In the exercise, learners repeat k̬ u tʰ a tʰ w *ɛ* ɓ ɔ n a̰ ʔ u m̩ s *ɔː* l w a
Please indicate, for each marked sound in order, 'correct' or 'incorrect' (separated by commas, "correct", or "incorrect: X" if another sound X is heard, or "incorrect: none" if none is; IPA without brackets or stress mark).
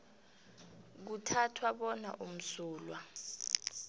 incorrect: a, incorrect: uː